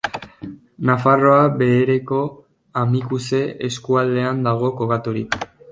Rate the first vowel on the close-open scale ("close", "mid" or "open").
open